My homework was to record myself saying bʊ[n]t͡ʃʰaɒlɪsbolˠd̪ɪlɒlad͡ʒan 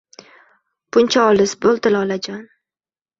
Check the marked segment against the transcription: correct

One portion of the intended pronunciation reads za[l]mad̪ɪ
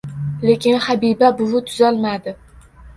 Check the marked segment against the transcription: correct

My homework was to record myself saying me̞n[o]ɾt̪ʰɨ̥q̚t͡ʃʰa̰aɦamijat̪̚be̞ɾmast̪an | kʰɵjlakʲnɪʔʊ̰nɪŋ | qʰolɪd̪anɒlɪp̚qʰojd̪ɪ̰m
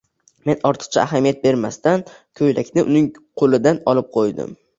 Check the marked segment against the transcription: incorrect: ɒ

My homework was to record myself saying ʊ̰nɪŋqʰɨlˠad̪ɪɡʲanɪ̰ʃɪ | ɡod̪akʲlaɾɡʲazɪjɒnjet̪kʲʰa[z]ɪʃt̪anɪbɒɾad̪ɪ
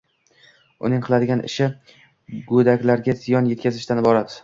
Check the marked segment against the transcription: correct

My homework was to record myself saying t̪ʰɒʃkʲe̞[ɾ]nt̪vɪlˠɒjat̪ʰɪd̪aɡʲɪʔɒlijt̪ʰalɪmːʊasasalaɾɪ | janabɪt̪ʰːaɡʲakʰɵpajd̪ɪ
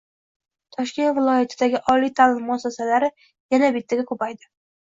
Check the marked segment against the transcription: incorrect: none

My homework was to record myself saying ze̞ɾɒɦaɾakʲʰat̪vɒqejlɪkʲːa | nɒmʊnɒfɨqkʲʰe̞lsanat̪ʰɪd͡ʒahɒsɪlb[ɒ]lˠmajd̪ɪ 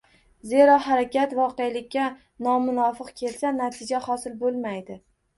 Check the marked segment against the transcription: incorrect: o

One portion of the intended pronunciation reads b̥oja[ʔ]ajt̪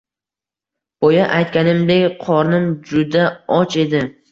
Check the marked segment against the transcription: correct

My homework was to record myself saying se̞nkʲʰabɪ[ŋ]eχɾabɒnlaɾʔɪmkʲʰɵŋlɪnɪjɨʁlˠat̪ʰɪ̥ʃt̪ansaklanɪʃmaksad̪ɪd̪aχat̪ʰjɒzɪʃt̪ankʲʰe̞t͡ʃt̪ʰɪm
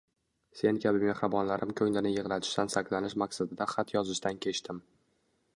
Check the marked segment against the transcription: incorrect: m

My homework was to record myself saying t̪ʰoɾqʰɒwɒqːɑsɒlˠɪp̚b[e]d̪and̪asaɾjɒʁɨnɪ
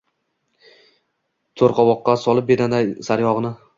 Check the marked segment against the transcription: correct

